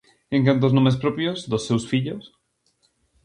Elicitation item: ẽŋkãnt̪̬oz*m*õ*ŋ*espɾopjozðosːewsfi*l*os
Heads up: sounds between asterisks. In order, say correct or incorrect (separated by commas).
incorrect, incorrect, incorrect